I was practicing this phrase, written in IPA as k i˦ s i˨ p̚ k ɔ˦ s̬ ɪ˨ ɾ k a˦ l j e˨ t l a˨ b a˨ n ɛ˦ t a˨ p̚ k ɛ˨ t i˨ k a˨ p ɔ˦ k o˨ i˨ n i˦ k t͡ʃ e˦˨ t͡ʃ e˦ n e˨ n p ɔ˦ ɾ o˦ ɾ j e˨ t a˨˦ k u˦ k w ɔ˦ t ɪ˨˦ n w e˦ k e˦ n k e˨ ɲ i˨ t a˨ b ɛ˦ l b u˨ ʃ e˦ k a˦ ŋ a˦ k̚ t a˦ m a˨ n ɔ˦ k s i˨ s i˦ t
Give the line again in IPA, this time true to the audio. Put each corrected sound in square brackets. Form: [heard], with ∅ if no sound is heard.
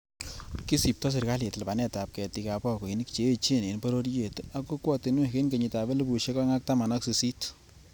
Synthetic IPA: k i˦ s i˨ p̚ [t] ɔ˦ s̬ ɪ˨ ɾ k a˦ l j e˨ t l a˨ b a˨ n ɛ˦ t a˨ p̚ k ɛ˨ t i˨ k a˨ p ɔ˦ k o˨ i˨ n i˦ k t͡ʃ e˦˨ t͡ʃ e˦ n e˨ n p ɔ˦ ɾ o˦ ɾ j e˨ t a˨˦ k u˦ k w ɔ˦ t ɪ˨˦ n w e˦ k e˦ n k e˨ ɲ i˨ t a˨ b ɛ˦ l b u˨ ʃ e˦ k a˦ ŋ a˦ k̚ t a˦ m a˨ n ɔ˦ k s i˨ s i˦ t